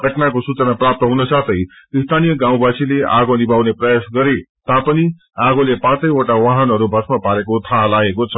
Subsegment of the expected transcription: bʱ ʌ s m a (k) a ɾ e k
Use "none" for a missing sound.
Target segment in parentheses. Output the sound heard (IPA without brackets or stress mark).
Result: p